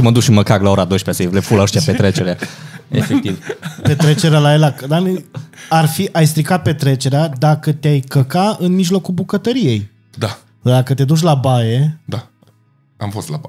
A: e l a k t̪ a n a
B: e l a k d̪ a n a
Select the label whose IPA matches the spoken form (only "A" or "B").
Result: B